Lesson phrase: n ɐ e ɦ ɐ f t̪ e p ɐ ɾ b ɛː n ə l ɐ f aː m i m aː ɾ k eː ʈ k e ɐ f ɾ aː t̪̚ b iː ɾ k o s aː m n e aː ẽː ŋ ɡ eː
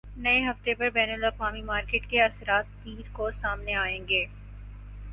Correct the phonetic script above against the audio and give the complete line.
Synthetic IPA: n ɐ e ɦ ɐ f t̪ e p ɐ ɾ b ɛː n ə l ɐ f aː m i m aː ɾ k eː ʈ k e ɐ s ɾ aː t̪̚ p iː ɾ k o s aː m n e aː ẽː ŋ ɡ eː